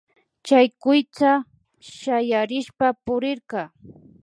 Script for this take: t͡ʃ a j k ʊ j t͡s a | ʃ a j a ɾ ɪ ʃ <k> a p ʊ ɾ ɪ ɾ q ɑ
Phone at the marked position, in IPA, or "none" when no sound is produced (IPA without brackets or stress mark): p